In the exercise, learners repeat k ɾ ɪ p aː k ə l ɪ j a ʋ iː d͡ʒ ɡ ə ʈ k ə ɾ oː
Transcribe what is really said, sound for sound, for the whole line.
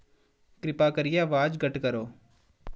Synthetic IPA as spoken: k ɾ ɪ p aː k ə ɾ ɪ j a ʋ aː d͡ʒ ɡ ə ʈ k ə ɾ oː